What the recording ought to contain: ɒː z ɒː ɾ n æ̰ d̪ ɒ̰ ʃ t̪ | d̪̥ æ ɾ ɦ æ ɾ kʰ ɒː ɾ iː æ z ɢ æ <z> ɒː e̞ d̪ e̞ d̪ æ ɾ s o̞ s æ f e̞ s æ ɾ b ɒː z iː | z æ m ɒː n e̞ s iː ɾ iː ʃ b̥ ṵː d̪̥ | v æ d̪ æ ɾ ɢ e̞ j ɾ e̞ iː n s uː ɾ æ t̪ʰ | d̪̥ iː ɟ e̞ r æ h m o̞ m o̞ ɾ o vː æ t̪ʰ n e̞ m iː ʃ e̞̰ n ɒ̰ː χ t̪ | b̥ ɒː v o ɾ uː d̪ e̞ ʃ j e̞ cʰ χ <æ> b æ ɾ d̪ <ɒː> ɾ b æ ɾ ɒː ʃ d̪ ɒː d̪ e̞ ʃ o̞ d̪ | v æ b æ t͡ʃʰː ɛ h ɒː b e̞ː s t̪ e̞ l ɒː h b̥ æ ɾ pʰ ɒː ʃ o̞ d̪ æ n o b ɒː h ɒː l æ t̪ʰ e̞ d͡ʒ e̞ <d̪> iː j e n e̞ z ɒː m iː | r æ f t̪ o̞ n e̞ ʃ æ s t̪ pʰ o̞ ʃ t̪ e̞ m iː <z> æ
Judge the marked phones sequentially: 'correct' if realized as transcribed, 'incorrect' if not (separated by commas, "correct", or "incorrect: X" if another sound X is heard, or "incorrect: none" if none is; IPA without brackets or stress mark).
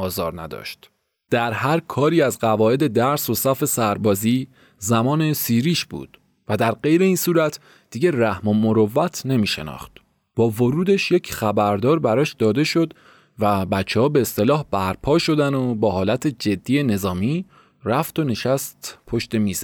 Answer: incorrect: v, correct, correct, incorrect: d̪ː, correct